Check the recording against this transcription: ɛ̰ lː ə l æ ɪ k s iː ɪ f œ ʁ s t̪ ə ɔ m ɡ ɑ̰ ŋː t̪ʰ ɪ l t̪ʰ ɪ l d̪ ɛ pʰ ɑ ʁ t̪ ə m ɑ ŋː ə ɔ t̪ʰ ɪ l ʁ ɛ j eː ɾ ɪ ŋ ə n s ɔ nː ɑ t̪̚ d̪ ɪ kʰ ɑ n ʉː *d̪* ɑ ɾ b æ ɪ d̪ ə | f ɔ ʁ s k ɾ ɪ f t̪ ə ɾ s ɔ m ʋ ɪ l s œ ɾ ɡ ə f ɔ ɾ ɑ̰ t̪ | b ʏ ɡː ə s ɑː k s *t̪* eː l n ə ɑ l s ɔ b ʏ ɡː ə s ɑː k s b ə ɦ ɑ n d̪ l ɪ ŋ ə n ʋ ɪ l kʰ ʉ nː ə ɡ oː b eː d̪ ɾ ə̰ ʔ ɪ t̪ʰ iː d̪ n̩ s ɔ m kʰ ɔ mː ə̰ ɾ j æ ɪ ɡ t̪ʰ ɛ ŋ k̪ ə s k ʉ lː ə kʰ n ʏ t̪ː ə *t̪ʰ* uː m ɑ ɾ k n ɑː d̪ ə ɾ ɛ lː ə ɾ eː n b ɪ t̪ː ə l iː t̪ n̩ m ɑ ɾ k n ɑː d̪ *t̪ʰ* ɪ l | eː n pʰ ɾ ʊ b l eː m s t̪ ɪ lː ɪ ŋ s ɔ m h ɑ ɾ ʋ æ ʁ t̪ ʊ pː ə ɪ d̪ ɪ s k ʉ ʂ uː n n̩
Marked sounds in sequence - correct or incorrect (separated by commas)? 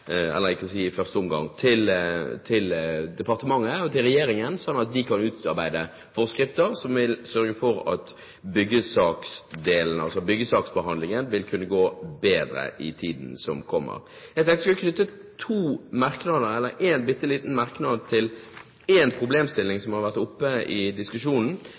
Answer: incorrect, incorrect, correct, correct